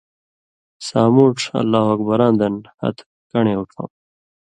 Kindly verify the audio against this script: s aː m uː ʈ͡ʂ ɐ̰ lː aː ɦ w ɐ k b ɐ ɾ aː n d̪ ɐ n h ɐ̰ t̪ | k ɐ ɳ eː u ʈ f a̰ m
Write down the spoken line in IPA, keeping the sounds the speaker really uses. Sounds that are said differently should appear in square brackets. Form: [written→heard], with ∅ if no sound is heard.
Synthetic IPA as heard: s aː m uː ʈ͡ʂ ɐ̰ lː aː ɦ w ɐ k b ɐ ɾ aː n d̪ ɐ n h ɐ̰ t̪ | k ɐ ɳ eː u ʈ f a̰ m

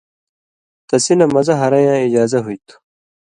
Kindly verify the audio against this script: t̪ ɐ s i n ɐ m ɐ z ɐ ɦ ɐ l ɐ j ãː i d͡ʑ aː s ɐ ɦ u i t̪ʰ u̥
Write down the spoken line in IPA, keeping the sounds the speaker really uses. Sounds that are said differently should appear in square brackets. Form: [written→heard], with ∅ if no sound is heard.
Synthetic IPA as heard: t̪ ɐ s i n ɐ m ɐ z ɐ ɦ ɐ [l→ɾ] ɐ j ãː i d͡ʑ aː [s→z] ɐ ɦ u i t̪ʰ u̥

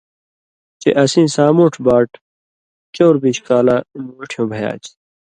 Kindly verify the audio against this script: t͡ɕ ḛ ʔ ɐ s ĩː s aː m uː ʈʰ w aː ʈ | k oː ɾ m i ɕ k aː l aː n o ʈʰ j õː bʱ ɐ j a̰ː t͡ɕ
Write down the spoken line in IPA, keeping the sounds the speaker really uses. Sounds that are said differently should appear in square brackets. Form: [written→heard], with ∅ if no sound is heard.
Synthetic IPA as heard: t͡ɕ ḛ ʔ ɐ s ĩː s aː m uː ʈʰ [w→b] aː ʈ | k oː ɾ [m→b] i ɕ k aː l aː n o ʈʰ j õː bʱ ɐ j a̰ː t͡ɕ

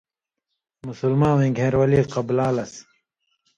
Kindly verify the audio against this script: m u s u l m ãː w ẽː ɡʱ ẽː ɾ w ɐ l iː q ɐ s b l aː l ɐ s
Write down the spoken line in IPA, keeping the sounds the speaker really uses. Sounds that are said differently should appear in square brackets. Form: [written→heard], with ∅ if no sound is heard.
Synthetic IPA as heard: m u s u l m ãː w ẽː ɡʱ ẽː ɾ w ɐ l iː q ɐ [s→∅] b l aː l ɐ s

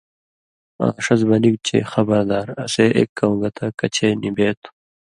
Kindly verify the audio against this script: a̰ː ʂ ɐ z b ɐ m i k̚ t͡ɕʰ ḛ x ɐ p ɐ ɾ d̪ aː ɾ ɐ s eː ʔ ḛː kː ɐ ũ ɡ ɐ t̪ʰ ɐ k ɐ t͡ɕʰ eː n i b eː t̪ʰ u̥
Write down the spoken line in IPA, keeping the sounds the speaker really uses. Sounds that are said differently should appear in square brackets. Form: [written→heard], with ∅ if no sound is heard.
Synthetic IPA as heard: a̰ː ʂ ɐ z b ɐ [m→n] i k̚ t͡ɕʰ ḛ x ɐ [p→b] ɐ ɾ d̪ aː ɾ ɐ s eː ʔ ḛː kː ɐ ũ ɡ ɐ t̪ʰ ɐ k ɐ t͡ɕʰ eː n i b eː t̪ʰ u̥

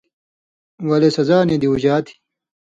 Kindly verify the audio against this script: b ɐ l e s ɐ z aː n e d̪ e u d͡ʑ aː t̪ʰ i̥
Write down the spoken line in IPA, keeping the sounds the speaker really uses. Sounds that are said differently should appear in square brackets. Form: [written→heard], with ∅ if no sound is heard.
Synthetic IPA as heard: [b→w] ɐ l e s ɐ z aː n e d̪ [e→i] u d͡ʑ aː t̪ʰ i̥

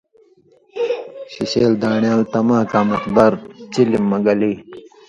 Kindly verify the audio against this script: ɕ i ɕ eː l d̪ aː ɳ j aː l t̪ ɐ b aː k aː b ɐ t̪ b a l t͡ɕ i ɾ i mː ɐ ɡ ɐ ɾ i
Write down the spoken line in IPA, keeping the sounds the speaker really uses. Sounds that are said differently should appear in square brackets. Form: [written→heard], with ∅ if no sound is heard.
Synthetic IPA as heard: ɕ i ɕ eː l d̪ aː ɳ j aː l t̪ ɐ [b→m] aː k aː [b→m] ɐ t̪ b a [l→ɾ] t͡ɕ i [ɾ→l] i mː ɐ ɡ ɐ [ɾ→l] i

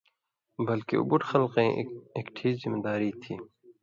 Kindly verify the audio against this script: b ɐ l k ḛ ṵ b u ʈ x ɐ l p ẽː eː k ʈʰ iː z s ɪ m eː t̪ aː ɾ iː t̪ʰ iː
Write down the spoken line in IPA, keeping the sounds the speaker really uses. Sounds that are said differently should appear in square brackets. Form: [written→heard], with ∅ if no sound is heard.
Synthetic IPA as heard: b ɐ l k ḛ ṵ b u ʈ x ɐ l [p→q] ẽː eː k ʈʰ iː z [s→z] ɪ m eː [t̪→d̪] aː ɾ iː t̪ʰ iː

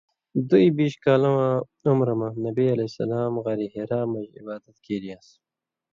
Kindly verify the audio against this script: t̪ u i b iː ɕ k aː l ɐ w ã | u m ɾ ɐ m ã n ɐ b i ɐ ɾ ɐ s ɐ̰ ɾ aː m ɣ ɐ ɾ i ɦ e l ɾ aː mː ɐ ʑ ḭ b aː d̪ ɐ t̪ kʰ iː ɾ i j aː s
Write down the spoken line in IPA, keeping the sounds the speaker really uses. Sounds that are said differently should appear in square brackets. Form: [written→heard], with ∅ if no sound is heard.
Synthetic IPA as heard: [t̪→d̪] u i b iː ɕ k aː l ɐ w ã | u m ɾ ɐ m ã n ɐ b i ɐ [ɾ→l] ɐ s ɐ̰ [ɾ→l] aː m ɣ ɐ ɾ i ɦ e [l→∅] ɾ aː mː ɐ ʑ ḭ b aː d̪ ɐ t̪ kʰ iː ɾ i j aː s

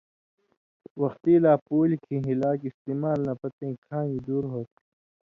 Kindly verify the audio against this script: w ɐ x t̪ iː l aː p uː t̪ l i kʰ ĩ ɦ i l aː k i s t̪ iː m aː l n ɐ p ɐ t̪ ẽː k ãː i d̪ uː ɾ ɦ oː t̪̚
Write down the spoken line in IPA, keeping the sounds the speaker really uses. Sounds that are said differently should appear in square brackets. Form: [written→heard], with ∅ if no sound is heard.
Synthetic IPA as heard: w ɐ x t̪ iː l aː p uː [t̪→∅] l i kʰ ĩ ɦ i l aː k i s t̪ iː m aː l n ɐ p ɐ t̪ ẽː [k→kʰ] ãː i d̪ uː ɾ ɦ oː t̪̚

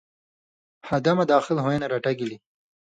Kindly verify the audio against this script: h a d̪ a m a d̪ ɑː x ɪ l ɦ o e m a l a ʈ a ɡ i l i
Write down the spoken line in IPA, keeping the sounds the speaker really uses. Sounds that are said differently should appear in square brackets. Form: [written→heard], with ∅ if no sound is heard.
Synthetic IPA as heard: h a d̪ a m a d̪ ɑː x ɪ l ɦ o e [m→n] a [l→ɾ] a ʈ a ɡ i l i

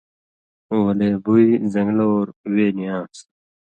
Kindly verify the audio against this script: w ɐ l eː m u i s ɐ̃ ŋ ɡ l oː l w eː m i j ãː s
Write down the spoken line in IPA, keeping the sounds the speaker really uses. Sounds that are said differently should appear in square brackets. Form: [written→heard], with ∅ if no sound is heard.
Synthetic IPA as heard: w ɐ l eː [m→b] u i [s→z] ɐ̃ ŋ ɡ l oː [l→ɾ] w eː [m→n] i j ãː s

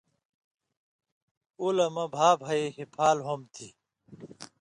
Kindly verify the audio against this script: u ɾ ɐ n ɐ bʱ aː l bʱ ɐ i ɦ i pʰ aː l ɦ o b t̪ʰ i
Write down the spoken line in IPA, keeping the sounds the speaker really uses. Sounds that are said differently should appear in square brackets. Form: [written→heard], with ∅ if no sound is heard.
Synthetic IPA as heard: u [ɾ→l] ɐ [n→m] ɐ bʱ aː [l→∅] bʱ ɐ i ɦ i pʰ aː l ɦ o [b→m] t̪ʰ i

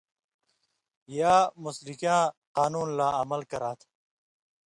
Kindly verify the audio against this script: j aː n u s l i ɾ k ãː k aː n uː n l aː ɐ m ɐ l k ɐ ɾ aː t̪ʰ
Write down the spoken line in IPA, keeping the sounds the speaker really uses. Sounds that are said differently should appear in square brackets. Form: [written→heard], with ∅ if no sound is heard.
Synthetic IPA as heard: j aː [n→m] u s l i [ɾ→∅] k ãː [k→q] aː n uː n l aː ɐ m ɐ l k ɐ ɾ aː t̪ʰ

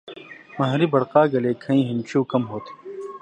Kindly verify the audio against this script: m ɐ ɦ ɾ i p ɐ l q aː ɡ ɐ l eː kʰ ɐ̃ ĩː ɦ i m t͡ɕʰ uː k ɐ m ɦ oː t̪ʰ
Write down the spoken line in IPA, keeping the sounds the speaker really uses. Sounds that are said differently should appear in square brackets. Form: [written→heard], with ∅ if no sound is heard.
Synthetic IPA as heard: m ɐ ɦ ɾ i [p→b] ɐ [l→ɽ] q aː ɡ ɐ l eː kʰ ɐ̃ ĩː ɦ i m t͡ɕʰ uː k ɐ m ɦ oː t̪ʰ

